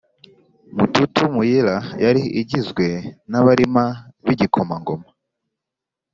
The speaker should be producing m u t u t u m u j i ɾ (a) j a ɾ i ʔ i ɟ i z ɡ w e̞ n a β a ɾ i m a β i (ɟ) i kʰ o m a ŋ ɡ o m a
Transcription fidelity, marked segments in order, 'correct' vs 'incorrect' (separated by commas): correct, correct